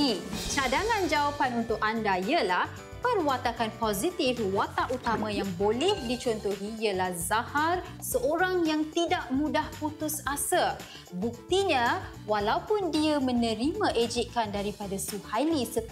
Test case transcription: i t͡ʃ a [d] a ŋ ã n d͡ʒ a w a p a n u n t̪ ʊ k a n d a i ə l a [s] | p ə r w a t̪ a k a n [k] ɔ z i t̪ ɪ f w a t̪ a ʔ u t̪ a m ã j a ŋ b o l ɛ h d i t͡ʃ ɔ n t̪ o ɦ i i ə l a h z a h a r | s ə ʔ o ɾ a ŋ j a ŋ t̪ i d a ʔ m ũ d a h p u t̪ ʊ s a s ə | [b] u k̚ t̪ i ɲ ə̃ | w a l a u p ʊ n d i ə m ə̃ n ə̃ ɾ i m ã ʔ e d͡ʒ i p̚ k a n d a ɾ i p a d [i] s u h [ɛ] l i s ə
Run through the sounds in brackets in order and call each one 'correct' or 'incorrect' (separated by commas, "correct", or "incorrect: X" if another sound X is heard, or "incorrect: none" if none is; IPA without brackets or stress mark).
correct, incorrect: h, incorrect: p, correct, incorrect: a, incorrect: a